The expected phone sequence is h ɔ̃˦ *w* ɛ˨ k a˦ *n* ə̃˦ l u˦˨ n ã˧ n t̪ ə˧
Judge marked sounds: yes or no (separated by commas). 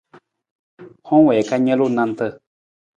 yes, no